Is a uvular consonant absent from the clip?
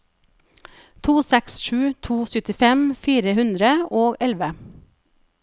yes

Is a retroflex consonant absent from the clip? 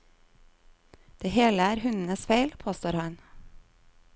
yes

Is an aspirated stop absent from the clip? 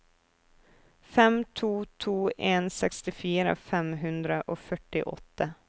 no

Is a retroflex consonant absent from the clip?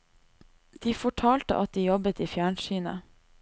no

